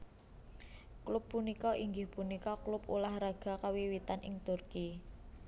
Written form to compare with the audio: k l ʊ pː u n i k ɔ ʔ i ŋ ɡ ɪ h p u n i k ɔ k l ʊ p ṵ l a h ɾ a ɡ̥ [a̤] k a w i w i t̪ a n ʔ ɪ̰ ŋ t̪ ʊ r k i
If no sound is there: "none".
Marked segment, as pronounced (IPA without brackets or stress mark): a̤